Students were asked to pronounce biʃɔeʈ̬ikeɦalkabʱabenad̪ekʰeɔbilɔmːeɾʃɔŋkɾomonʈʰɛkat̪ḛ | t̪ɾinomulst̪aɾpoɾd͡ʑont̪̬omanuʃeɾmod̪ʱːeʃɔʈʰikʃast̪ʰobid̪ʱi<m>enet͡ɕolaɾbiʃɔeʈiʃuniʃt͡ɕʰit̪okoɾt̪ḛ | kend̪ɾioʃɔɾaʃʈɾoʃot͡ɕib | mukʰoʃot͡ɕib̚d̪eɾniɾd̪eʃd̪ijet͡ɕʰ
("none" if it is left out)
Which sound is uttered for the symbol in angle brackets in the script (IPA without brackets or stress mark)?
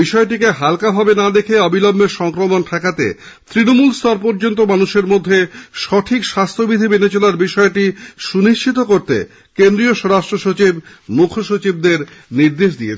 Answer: b